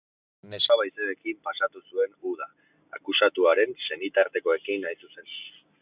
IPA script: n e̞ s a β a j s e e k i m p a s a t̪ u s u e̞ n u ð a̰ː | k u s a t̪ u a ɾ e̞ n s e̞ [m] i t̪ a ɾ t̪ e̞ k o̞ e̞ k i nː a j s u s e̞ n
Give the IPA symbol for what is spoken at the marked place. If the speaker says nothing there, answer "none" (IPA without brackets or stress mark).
n